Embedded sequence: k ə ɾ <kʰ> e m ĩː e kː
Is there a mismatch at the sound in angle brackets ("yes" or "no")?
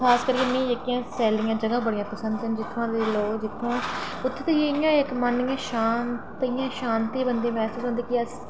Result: yes